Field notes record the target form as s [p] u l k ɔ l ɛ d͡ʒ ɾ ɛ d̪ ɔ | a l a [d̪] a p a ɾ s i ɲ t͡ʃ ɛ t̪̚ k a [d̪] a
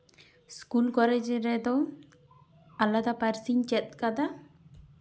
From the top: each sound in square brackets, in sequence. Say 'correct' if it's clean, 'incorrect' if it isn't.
incorrect: k, correct, correct

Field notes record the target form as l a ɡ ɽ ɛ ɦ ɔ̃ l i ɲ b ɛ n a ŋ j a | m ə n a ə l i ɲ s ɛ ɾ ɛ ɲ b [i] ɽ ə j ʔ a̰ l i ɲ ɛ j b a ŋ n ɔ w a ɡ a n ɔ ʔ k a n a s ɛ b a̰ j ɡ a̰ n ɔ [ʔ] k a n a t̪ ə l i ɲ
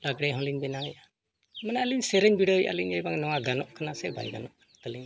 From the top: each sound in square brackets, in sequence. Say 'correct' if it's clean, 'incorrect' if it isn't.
correct, correct

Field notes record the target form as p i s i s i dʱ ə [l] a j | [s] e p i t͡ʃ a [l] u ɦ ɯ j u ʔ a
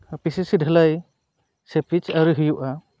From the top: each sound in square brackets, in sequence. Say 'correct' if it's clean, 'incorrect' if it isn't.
correct, correct, incorrect: ɾ

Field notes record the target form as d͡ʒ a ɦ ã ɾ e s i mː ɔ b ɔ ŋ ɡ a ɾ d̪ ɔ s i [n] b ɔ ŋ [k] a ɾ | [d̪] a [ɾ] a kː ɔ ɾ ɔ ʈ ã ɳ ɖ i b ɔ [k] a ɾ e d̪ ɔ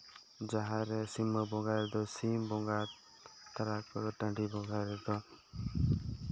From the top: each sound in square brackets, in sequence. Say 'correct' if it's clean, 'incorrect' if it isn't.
incorrect: m, incorrect: ɡ, incorrect: t̪, correct, incorrect: ɡ

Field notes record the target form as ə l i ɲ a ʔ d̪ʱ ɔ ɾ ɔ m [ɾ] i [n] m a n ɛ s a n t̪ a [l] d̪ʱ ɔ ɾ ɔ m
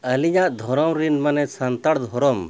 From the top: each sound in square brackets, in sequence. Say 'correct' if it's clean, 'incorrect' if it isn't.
correct, correct, incorrect: ɽ

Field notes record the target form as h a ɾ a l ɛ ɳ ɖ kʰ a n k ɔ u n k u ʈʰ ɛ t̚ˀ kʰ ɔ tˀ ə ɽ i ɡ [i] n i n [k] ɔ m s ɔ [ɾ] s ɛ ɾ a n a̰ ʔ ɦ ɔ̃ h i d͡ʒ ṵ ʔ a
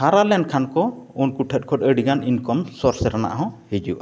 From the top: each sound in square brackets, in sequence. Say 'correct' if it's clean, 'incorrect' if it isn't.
incorrect: a, correct, correct

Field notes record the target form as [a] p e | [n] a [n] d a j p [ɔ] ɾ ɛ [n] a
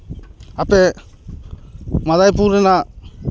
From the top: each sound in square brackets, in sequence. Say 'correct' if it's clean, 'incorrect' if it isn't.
correct, incorrect: m, incorrect: none, incorrect: u, correct

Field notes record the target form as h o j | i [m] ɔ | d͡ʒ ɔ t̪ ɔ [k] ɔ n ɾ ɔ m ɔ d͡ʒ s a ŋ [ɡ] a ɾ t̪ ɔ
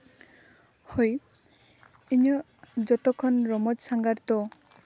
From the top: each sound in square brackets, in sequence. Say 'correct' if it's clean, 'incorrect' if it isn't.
incorrect: ɲ, incorrect: kʰ, correct

